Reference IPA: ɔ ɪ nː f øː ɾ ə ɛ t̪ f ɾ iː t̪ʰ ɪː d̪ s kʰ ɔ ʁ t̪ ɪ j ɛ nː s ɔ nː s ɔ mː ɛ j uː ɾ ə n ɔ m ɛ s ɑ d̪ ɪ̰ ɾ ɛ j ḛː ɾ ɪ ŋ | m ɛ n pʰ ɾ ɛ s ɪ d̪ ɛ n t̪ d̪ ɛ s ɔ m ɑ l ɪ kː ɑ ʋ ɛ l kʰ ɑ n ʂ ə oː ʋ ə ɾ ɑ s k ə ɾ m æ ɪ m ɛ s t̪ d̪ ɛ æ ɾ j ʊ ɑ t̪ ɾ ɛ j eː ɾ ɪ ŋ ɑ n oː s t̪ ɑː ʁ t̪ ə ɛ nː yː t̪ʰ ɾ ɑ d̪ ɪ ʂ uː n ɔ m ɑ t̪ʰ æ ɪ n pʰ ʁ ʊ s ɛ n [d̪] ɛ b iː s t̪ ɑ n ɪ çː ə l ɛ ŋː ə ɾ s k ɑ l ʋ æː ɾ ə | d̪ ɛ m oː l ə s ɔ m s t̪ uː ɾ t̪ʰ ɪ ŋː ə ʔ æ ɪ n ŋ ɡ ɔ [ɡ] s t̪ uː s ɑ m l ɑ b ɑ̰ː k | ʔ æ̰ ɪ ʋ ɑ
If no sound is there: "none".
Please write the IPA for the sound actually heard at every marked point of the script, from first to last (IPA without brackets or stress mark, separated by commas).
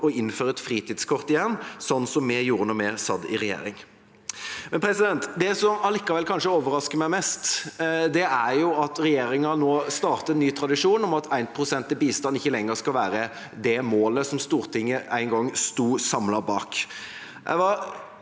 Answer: t̪, ŋ